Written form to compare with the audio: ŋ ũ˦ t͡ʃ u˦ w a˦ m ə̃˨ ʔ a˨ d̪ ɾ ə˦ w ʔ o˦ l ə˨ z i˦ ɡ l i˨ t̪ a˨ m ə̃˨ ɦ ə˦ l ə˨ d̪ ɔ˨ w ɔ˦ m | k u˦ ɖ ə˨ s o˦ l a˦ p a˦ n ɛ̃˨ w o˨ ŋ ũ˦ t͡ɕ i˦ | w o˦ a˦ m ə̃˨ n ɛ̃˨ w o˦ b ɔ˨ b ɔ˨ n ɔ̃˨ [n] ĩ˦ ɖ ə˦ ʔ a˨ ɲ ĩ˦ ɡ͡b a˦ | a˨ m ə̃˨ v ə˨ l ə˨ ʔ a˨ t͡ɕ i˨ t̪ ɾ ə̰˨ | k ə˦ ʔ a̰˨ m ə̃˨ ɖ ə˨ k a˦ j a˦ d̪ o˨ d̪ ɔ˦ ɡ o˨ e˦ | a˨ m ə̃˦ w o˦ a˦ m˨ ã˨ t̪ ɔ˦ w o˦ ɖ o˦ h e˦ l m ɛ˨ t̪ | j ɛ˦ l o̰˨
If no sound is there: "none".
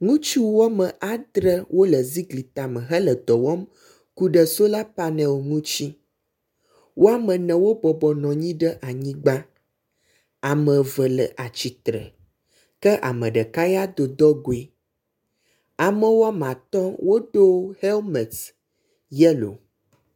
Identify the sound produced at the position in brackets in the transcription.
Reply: ɲ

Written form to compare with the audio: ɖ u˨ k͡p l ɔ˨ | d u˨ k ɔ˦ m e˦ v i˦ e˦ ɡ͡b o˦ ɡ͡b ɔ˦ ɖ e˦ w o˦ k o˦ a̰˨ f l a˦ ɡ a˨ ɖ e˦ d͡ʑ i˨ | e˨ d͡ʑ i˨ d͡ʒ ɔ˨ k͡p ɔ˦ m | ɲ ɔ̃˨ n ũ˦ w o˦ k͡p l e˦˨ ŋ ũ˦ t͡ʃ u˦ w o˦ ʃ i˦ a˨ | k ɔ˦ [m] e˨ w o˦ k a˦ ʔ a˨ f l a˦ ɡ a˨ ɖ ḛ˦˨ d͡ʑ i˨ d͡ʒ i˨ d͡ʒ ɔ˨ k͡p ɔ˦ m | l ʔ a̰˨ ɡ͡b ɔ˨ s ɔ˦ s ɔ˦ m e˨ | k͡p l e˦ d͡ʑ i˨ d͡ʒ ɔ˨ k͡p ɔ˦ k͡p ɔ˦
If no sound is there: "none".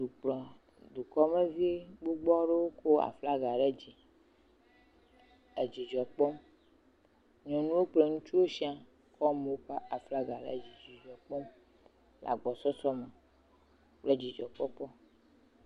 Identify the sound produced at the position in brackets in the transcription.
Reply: m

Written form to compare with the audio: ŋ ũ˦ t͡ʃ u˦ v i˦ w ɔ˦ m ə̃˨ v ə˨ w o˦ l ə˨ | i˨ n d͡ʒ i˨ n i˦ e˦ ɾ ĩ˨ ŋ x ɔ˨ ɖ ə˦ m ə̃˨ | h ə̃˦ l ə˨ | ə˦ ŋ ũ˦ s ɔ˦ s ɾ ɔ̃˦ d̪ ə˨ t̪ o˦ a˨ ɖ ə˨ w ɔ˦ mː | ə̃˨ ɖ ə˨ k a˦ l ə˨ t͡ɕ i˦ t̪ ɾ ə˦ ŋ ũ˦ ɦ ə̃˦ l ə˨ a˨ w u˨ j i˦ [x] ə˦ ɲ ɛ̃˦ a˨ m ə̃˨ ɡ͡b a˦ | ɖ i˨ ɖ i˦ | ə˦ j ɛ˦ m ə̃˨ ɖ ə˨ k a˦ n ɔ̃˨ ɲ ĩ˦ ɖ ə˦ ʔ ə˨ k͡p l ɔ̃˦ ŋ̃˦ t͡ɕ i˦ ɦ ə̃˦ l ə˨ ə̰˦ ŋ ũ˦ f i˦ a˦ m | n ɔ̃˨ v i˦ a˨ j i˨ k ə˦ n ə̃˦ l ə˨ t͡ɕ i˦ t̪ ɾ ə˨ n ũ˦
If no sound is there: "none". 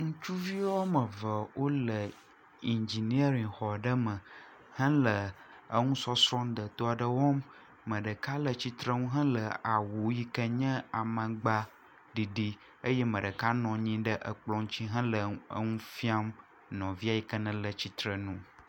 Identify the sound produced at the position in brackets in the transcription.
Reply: k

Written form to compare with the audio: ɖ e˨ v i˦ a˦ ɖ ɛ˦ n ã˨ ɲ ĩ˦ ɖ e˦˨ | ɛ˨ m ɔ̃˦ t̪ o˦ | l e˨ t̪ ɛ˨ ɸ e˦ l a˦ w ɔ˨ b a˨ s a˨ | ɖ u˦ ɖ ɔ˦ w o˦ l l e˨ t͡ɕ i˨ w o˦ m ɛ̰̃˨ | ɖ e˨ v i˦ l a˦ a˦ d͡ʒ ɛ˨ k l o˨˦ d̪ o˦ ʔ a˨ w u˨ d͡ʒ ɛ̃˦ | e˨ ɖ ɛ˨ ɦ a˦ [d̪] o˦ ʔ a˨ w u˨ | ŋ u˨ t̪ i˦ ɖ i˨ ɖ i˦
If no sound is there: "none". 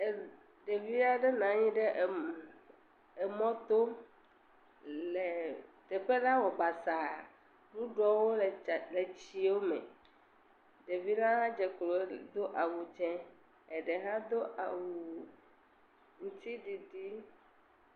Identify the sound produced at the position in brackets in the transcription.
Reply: d̪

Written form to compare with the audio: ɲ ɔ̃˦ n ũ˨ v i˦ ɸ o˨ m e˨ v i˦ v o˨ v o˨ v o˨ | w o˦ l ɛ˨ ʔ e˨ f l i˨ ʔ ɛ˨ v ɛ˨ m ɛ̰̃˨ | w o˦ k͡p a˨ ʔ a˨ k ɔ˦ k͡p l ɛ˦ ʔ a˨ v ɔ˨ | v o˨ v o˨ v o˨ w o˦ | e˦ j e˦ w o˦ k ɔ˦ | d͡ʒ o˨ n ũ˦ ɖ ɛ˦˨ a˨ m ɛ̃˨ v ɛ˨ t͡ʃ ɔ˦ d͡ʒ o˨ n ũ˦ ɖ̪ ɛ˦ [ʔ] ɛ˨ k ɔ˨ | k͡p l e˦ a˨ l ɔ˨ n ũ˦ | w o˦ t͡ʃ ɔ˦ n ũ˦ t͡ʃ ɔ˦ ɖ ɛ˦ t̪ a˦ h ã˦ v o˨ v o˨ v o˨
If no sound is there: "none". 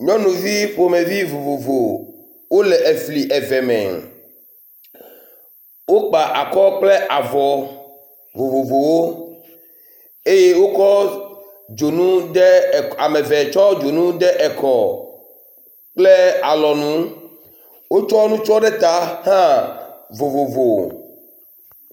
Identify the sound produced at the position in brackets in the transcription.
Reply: ʔ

